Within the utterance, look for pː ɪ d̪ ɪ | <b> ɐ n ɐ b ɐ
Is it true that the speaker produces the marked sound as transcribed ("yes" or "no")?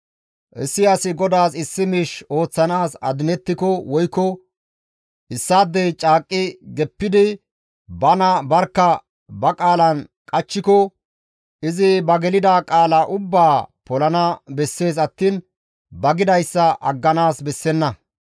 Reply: yes